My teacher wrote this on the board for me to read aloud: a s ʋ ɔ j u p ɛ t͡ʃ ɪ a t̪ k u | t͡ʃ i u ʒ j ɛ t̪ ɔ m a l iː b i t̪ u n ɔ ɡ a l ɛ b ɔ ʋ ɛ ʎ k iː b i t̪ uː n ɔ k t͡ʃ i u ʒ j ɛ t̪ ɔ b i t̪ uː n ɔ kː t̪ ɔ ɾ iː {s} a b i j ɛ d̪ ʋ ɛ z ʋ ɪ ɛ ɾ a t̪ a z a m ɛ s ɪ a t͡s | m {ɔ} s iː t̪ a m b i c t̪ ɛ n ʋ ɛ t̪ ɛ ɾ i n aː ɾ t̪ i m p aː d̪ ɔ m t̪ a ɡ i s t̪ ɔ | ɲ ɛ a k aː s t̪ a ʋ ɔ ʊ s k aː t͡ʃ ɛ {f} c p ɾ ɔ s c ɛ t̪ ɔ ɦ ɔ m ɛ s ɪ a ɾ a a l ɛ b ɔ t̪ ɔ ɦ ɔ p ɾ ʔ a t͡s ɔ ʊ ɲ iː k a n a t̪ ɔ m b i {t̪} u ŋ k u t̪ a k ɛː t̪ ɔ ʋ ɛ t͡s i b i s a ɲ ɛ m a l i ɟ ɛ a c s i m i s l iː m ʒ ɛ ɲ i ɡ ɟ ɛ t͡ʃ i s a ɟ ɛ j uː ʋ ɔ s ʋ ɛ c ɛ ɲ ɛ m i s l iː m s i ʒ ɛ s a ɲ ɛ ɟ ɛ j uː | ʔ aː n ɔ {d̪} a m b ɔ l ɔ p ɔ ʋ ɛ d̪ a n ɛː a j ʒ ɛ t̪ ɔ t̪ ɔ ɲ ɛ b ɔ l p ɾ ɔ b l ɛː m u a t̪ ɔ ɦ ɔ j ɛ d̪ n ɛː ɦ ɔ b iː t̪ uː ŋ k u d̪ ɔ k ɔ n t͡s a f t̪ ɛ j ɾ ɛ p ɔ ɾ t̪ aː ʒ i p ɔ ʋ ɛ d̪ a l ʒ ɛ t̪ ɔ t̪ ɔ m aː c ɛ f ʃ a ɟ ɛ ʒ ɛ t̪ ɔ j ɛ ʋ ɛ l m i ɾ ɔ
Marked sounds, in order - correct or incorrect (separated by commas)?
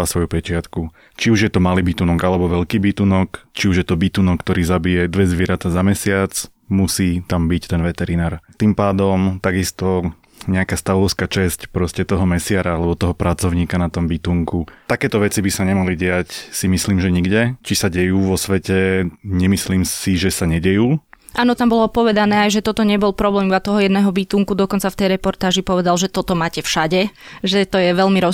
incorrect, incorrect, incorrect, correct, incorrect